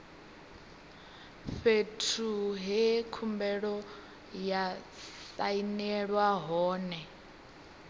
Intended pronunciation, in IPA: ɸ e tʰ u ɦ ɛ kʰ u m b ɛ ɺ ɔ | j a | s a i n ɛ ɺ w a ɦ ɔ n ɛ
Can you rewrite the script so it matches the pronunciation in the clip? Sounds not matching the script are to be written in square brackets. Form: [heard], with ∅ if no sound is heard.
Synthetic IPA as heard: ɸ e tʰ u ɦ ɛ kʰ u m b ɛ ɺ ɔ | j a | s a i n ɛ ɺ w a ɦ [ɔː] n ɛ